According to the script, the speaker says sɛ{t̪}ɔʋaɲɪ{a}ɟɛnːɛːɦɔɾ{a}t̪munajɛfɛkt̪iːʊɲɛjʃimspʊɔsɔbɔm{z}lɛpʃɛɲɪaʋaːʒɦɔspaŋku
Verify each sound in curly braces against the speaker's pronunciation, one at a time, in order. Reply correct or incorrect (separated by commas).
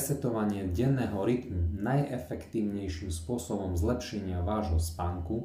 correct, incorrect, incorrect, correct